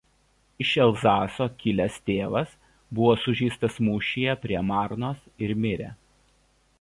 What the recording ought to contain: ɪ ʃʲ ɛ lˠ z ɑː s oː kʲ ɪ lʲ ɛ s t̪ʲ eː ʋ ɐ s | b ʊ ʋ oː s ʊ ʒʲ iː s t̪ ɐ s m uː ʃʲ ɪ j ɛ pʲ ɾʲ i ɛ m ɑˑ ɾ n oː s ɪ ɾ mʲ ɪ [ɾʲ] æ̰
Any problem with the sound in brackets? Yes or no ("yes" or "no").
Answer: no